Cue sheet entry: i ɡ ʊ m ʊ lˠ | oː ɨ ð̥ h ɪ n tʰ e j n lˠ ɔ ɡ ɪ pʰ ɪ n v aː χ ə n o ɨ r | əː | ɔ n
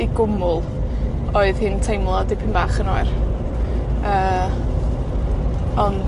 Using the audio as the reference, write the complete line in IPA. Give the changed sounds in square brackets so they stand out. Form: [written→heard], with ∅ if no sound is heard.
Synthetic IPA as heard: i ɡ ʊ m ʊ lˠ | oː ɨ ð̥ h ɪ n tʰ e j [n→m] lˠ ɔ [ɡ→d] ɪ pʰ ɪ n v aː χ ə n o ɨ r | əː | ɔ n